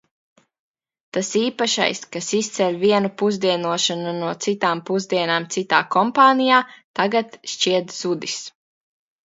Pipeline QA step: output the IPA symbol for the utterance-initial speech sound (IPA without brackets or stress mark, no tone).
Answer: t̪